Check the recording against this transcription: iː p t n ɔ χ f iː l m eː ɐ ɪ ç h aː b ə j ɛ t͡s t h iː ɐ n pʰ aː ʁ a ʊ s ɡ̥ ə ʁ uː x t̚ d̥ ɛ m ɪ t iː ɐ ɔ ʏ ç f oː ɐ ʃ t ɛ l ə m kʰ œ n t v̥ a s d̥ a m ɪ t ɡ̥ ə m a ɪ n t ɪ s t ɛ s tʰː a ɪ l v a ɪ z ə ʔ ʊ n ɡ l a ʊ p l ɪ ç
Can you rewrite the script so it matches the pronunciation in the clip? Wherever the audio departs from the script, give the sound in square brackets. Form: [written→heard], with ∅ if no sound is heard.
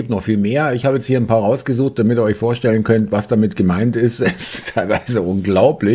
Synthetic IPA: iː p t n ɔ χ f iː l m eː ɐ ɪ ç h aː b ə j ɛ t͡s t h iː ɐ n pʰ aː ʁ a ʊ s ɡ̥ ə [ʁ→z] uː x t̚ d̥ [ɛ→a] m ɪ t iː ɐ ɔ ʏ ç f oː ɐ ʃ t ɛ l ə [m→n] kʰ œ n t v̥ a s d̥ a m ɪ t ɡ̥ ə m a ɪ n t ɪ s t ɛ s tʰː a ɪ l v a ɪ z ə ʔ ʊ n ɡ l a ʊ p l ɪ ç